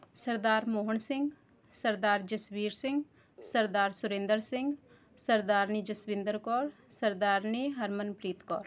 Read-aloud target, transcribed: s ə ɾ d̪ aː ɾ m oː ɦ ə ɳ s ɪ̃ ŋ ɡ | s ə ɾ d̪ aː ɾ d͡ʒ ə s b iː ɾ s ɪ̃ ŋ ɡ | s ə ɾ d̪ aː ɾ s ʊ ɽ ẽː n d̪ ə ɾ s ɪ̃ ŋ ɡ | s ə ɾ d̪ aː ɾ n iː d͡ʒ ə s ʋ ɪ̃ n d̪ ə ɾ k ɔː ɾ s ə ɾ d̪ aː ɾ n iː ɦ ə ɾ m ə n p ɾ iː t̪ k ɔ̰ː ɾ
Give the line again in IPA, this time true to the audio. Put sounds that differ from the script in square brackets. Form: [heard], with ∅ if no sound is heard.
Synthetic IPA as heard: s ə ɾ d̪ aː ɾ m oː ɦ ə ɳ s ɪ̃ ŋ ɡ | s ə ɾ d̪ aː ɾ d͡ʒ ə s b iː ɾ s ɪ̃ ŋ ɡ | s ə ɾ d̪ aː ɾ s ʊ [ɾ] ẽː n d̪ ə ɾ s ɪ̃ ŋ ɡ | s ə ɾ d̪ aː ɾ n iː d͡ʒ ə s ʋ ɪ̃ n d̪ ə ɾ k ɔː ɾ s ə ɾ d̪ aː ɾ n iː ɦ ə ɾ m ə n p ɾ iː t̪ k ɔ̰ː ɾ